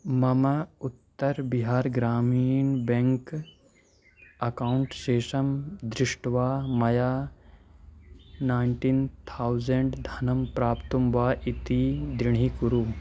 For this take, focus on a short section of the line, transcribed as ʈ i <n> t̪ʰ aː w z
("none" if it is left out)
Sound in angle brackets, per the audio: n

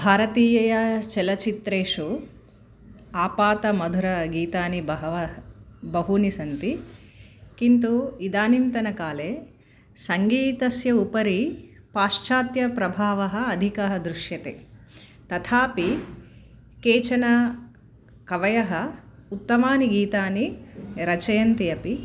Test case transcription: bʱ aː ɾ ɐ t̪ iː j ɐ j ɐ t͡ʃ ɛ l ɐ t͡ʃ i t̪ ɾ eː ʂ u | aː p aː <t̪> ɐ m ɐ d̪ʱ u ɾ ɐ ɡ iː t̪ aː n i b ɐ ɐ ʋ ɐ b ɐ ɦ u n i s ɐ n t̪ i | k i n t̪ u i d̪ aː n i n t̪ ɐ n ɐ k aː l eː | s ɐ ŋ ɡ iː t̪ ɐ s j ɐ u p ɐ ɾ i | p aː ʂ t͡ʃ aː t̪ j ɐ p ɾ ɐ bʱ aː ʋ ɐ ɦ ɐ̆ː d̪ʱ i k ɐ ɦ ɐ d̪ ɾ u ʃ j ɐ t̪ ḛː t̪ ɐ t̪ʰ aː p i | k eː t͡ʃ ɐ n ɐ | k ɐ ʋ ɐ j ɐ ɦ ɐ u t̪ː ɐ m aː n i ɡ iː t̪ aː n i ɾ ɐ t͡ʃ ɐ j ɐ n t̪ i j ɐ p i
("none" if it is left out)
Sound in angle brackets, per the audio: t̪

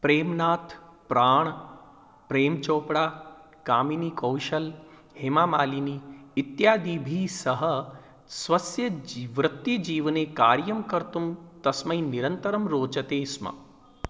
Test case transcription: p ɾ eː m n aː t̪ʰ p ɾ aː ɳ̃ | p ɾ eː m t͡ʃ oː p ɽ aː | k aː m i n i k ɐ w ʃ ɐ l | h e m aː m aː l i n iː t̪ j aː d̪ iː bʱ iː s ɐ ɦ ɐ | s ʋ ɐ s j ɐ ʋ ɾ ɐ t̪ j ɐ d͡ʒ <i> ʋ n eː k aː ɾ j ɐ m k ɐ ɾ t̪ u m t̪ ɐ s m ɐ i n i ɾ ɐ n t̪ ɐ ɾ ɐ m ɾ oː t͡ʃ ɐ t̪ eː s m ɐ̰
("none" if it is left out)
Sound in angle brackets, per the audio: iː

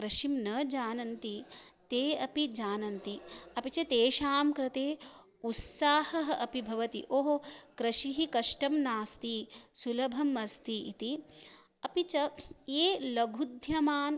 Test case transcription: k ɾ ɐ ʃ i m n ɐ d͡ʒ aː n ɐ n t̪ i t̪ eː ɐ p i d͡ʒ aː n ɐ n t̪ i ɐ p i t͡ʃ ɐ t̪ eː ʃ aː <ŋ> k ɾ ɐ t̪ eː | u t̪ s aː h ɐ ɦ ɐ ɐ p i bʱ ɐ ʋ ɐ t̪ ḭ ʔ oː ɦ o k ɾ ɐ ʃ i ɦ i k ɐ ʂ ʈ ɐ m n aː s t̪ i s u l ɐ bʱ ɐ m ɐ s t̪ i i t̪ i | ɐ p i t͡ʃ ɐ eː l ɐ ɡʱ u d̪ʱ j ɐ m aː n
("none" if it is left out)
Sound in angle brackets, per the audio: m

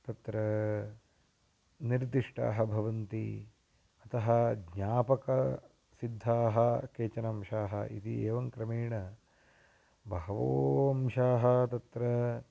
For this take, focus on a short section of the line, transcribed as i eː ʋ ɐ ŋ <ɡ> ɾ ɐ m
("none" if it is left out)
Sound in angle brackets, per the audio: k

